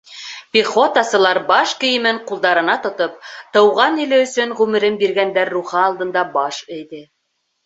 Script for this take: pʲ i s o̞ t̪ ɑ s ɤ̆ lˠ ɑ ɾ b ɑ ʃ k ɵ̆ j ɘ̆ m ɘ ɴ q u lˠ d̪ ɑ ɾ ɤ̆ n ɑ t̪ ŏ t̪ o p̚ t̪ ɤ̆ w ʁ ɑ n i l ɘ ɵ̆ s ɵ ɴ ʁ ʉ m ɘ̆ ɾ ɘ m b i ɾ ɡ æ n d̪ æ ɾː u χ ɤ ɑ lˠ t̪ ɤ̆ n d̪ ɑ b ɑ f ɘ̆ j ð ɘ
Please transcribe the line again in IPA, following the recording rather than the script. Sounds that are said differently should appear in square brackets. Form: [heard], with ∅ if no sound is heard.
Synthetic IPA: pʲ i [χ] o̞ t̪ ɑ s ɤ̆ lˠ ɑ ɾ b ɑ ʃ k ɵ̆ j ɘ̆ m ɘ ɴ q u lˠ d̪ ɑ ɾ ɤ̆ n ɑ t̪ ŏ t̪ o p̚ t̪ ɤ̆ w ʁ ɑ n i l ɘ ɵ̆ s ɵ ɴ ʁ ʉ m ɘ̆ ɾ ɘ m b i ɾ ɡ æ n d̪ æ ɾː u χ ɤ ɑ lˠ [d̪] ɤ̆ n d̪ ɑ b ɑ [ʃ] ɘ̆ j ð ɘ